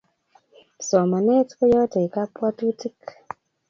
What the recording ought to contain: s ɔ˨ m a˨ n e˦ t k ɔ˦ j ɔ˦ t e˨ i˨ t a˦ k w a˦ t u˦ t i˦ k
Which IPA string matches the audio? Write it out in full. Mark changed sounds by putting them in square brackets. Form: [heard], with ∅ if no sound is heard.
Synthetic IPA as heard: s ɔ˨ m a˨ n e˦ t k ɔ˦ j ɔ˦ t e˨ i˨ [k] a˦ [p] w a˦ t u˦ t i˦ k

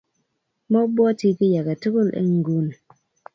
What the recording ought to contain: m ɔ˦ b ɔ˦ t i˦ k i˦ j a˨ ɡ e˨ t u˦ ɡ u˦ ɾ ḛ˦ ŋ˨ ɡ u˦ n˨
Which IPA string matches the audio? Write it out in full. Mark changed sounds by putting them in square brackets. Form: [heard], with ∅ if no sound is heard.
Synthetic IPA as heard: m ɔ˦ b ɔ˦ t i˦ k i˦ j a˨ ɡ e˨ t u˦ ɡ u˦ [l] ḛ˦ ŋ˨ ɡ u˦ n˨

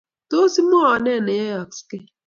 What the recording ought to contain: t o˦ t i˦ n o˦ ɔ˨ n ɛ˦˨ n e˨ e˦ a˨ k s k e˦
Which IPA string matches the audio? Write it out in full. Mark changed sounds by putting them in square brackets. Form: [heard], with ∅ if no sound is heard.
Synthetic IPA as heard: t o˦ [s] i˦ [m] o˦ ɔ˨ n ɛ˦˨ n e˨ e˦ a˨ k s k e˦

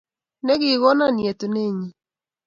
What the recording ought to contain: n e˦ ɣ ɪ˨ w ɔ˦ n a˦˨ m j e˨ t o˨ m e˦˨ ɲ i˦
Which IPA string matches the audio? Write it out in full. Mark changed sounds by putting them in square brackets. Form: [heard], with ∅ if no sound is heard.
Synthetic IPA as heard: n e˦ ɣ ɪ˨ [ɣ] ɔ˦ n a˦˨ [n] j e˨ t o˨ [n] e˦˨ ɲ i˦

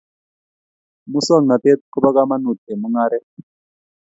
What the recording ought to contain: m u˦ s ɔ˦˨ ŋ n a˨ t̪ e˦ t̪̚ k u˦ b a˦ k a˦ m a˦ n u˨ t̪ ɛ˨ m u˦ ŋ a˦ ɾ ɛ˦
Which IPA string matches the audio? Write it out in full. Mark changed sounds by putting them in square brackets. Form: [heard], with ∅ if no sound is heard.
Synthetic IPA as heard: m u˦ s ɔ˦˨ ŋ n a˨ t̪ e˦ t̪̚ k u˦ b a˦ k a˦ m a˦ n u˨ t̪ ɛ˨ m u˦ ŋ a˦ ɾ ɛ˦

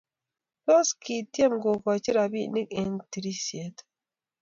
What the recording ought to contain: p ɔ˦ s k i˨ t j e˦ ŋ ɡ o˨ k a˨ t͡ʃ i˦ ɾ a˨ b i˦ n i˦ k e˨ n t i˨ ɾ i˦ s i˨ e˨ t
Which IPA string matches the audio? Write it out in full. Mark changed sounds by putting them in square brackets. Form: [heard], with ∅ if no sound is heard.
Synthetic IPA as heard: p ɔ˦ s k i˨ t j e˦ [m] ɡ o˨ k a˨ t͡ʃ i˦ ɾ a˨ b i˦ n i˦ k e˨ n t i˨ ɾ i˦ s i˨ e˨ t

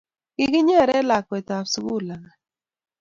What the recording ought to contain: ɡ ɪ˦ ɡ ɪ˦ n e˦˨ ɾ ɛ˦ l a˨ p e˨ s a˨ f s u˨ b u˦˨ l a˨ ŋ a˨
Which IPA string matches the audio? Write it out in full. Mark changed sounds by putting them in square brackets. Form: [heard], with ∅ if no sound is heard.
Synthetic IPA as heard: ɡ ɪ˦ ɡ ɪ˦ [ɲ] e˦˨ ɾ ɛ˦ l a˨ [k] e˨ [t] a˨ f s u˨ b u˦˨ l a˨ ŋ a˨

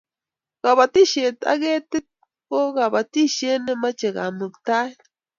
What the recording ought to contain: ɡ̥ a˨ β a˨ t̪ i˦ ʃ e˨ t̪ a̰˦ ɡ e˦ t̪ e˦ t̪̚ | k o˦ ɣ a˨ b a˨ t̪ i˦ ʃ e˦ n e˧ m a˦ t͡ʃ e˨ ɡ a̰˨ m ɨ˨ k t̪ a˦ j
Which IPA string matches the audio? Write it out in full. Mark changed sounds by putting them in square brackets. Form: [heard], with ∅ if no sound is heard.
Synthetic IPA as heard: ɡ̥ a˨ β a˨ t̪ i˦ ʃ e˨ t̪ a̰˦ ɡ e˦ t̪ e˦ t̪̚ | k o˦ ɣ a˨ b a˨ t̪ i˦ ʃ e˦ n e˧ m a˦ t͡ʃ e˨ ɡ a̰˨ m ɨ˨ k t̪ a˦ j

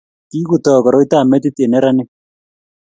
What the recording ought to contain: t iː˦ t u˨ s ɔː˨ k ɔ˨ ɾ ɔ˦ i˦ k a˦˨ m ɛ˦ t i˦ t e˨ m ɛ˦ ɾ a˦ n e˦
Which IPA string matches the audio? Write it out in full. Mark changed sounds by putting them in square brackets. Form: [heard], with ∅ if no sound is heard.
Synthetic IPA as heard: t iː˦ [k] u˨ [t] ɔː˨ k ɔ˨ ɾ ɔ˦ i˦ [t] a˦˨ m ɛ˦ t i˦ t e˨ [n] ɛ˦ ɾ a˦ n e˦

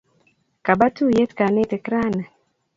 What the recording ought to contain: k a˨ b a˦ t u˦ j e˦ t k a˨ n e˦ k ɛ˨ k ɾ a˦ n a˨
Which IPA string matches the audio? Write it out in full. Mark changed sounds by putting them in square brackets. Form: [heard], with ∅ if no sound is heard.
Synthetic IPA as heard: k a˨ b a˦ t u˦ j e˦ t k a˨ n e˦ [t] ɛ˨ k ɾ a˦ n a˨

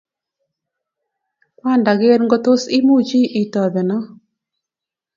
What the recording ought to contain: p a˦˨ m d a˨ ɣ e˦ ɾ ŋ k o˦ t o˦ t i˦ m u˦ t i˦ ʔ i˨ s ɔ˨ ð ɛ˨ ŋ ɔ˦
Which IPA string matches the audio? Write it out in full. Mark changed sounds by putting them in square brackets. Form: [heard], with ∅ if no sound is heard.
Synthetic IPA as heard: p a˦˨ [n] d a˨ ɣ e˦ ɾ ŋ [ɡ] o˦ t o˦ [s] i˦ m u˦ [t͡ʃ] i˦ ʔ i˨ [t] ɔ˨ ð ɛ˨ [n] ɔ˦

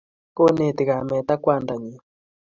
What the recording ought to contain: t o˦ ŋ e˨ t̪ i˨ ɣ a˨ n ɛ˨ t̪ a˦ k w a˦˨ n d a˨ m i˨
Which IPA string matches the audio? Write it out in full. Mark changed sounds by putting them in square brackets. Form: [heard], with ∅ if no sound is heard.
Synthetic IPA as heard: [k] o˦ [n] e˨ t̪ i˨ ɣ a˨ [m] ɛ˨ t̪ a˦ k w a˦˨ n d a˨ [ɲ] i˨

